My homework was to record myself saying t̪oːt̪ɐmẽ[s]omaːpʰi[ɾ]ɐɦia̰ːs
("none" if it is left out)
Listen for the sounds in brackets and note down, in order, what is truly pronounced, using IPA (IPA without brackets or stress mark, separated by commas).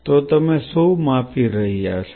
s, ɾ